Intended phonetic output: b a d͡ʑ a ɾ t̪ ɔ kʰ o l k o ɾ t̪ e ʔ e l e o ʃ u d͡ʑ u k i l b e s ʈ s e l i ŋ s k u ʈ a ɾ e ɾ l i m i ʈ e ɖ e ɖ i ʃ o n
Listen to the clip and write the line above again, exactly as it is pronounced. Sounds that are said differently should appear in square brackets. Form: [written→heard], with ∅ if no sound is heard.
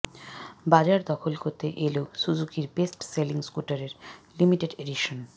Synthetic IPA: b a d͡ʑ a ɾ [t̪→d̪] ɔ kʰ o l k o ɾ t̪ e ʔ e l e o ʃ u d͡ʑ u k i [l→ɾ] b e s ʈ s e l i ŋ s k u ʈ a ɾ e ɾ l i m i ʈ e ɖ e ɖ i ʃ o n